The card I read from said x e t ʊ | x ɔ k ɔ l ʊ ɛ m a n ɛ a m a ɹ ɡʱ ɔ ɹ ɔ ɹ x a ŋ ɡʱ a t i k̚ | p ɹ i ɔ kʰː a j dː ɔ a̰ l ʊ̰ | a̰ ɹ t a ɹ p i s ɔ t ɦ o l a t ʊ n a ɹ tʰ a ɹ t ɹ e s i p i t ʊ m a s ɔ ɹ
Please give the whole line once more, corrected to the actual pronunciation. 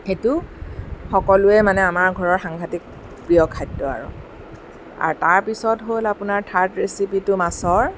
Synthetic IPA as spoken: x e t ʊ | x ɔ k ɔ l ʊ ɛ m a n ɛ a m a ɹ ɡʱ ɔ ɹ ɔ ɹ x a ŋ ɡʱ a t i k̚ | p ɹ i ɔ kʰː a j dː ɔ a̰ ɹ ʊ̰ | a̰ ɹ t a ɹ p i s ɔ t ɦ o l a p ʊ n a ɹ tʰ a ɹ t ɹ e s i p i t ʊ m a s ɔ ɹ